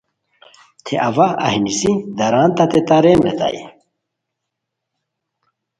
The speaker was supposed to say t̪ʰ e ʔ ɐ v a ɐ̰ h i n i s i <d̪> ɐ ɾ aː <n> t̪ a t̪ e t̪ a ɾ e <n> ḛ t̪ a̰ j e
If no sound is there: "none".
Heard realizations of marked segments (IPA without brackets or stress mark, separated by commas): d̪, n, m